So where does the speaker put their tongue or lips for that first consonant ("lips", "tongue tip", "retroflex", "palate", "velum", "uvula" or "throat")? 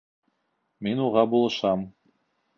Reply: lips